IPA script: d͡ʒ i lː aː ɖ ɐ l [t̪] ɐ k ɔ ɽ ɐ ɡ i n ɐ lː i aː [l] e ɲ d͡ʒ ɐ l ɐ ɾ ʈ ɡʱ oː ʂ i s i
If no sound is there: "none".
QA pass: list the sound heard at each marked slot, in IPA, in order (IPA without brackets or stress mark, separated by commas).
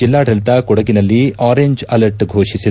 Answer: t̪, ɾ